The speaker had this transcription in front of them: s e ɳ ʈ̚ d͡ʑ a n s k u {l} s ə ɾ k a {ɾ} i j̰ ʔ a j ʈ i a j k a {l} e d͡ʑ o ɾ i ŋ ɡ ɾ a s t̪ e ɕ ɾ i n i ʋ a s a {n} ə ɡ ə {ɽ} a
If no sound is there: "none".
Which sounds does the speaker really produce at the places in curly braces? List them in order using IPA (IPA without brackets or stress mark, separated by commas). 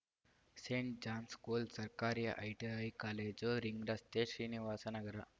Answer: l, ɾ, l, n, ɾ